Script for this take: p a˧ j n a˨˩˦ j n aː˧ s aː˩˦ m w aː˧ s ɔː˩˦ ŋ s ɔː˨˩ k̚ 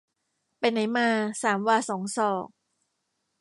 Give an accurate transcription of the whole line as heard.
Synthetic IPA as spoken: p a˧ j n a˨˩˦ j m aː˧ s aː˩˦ m w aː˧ s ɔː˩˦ ŋ s ɔː˨˩ k̚